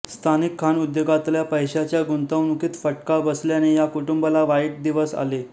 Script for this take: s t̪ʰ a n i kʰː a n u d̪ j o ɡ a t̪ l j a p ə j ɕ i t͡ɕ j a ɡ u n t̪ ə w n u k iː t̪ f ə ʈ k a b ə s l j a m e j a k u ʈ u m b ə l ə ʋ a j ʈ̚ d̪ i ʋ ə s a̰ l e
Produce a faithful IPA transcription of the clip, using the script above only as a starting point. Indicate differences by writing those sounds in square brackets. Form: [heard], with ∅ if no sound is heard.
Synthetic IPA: s t̪ʰ a n i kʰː a n u d̪ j o ɡ a t̪ l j a p ə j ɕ [a] t͡ɕ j a ɡ u n t̪ ə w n u k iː t̪ f ə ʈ k a b ə s l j a [n] e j a k u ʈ u m b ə l [a] ʋ a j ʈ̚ d̪ i ʋ ə s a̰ l e